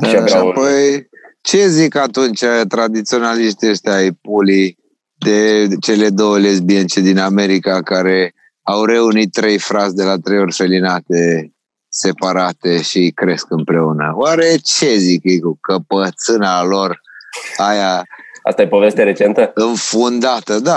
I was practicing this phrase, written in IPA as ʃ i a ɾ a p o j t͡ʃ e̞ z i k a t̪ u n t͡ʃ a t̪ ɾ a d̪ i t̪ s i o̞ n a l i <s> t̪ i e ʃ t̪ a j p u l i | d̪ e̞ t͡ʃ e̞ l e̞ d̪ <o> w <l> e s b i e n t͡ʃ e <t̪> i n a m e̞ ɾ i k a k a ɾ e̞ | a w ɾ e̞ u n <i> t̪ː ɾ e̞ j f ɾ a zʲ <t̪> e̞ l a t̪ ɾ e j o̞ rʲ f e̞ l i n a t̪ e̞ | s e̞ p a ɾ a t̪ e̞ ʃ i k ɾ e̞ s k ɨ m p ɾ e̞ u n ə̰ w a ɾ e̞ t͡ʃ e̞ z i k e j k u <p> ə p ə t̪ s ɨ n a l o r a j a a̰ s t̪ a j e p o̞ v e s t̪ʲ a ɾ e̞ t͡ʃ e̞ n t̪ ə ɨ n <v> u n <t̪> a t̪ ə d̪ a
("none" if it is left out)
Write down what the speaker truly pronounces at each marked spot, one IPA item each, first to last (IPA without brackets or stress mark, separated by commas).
ʃ, o, l, d̪, i, d̪, k, f, d̪